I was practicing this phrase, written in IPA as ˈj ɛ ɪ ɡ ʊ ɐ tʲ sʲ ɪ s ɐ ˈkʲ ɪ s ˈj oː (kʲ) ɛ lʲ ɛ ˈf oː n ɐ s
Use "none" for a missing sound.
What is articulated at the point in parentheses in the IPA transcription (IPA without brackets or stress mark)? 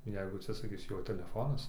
tʲ